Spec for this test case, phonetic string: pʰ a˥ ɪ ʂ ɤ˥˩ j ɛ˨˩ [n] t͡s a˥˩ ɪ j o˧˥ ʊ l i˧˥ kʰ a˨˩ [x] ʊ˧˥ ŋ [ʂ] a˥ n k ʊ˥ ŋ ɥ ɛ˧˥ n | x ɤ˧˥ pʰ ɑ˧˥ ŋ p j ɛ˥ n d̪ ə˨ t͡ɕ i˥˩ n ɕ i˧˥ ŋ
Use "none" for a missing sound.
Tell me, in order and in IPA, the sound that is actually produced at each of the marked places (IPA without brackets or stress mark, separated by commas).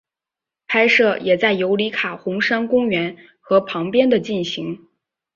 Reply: none, x, ʂ